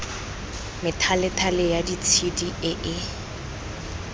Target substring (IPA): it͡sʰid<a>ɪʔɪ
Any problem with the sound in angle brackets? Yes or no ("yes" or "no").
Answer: yes